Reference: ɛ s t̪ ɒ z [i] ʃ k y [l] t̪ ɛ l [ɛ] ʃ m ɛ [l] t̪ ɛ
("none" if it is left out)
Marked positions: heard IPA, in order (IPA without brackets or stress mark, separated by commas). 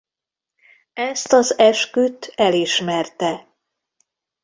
ɛ, none, i, r